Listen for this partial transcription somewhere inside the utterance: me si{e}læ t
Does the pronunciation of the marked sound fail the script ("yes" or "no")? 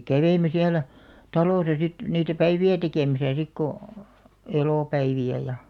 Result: yes